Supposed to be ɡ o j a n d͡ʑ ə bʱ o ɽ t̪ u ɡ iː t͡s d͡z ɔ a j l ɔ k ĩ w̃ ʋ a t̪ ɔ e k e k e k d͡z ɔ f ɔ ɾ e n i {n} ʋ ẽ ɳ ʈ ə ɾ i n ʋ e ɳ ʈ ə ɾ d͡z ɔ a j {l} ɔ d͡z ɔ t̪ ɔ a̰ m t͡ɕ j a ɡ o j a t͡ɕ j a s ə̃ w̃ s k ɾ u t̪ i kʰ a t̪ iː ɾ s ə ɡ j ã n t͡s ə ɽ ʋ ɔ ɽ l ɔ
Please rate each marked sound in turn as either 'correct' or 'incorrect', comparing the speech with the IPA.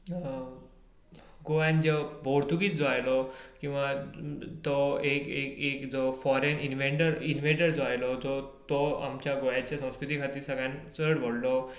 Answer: correct, correct

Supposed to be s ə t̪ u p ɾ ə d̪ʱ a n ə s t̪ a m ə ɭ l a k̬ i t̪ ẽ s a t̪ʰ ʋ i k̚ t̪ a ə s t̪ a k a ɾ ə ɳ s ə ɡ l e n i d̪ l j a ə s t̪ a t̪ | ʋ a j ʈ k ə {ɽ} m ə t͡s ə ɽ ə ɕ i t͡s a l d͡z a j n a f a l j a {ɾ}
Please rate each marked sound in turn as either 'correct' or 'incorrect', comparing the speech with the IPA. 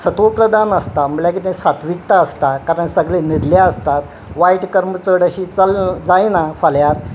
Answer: incorrect: ɾ, correct

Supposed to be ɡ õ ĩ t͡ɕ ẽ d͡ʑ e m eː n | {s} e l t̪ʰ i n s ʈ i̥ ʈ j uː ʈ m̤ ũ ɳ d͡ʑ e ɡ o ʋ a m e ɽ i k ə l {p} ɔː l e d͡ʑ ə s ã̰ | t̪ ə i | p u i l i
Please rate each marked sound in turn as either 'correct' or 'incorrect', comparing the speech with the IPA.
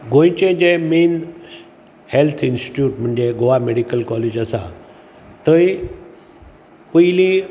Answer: incorrect: h, incorrect: k

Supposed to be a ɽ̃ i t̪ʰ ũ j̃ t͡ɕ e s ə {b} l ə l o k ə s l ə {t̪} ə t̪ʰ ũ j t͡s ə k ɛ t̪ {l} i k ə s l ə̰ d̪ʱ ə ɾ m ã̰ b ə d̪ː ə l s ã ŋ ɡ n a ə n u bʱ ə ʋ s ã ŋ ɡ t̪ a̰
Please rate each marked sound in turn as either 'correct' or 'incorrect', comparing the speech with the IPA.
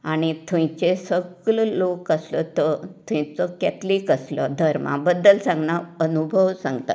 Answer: incorrect: ɡ, correct, correct

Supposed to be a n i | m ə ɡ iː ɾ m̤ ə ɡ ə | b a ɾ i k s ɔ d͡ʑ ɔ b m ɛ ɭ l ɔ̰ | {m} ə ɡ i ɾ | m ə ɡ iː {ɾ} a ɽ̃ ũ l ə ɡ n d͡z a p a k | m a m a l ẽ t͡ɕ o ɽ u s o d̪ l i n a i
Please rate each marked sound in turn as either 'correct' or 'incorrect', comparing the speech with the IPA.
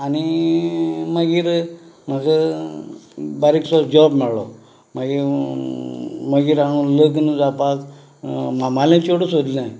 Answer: correct, correct

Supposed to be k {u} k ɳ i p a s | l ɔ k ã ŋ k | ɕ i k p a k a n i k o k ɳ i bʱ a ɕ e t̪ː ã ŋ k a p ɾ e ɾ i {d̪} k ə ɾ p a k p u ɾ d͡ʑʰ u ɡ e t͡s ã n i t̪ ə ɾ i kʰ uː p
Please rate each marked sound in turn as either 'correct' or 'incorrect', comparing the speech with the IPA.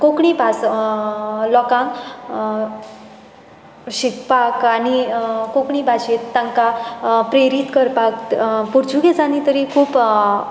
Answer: incorrect: o, incorrect: t̪

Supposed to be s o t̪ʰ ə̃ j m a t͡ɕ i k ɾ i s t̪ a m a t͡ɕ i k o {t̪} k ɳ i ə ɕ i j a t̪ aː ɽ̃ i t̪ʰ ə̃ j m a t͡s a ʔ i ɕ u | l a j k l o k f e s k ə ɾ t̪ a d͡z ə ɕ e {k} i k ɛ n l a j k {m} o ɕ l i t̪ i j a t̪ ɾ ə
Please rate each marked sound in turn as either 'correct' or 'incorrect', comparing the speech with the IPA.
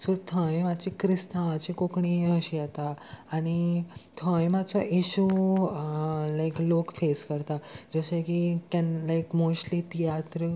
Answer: incorrect: none, correct, correct

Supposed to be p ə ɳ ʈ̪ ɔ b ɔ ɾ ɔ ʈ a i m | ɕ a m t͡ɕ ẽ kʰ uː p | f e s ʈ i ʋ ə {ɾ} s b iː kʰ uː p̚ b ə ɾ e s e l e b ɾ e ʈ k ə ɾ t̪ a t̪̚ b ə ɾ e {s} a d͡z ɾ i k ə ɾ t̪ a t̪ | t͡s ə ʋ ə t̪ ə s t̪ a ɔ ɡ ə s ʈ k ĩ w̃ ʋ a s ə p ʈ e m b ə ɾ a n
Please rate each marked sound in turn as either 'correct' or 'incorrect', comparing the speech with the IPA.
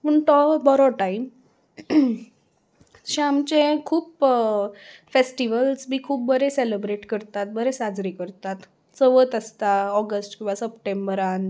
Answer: incorrect: l, correct

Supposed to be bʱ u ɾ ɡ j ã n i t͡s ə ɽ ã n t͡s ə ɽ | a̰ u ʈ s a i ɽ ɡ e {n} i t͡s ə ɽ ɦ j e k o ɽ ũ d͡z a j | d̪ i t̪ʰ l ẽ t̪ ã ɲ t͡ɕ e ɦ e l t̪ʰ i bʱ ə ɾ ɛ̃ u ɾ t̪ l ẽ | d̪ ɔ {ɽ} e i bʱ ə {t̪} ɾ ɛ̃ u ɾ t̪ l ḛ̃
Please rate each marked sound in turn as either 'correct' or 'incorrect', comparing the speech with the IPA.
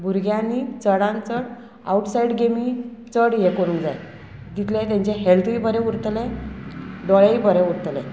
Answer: incorrect: m, incorrect: ɭ, incorrect: none

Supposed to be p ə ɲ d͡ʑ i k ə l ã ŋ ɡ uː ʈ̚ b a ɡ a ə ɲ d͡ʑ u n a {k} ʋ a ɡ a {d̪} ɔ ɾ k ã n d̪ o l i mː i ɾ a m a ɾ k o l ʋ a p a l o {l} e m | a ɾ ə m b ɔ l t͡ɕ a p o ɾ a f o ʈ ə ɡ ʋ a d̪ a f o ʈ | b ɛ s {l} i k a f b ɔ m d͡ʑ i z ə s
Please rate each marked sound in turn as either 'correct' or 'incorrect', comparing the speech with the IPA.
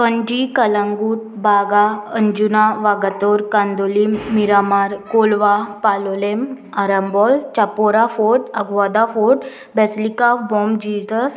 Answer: incorrect: none, incorrect: t̪, correct, correct

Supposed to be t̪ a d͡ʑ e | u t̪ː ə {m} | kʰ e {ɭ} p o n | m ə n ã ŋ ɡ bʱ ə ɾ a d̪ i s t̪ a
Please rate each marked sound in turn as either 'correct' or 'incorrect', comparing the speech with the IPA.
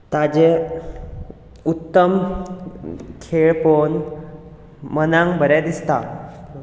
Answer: correct, correct

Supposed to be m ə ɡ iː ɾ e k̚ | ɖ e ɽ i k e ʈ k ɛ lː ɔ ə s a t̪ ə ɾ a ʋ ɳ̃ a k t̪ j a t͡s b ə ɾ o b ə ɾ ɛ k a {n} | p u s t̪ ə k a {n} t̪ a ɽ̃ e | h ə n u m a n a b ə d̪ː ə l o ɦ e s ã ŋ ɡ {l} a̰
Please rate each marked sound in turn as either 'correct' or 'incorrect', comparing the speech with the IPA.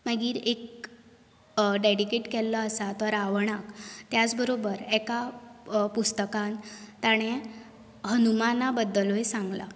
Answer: incorrect: none, correct, correct

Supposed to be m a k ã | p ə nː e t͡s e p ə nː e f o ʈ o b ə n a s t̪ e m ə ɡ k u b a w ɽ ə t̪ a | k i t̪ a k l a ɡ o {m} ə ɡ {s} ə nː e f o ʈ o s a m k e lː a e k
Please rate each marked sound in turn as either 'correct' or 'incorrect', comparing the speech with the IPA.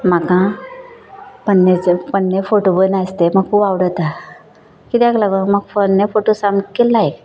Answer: correct, incorrect: f

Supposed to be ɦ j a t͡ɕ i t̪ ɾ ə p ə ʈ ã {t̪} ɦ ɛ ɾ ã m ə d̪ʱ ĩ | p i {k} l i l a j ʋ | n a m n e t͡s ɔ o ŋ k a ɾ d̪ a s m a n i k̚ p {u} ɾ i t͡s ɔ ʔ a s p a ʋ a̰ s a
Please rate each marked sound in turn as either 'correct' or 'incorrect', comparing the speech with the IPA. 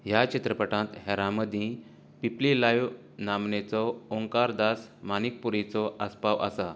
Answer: correct, incorrect: p, correct

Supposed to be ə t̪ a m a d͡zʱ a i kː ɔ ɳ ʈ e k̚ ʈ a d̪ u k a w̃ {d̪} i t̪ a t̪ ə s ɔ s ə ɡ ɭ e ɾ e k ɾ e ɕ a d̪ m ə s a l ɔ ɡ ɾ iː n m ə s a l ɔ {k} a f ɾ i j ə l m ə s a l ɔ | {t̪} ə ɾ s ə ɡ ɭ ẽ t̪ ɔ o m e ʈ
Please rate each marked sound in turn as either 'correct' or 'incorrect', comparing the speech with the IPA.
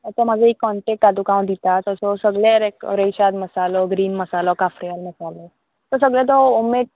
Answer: correct, correct, correct

